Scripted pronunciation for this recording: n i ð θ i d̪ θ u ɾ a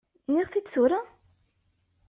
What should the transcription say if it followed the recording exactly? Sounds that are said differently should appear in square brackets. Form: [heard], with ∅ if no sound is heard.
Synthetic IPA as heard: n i [ʁ] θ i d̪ θ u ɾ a